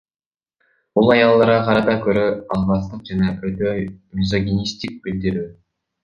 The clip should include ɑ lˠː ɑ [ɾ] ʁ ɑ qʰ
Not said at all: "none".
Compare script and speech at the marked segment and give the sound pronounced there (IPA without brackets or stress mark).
ɾ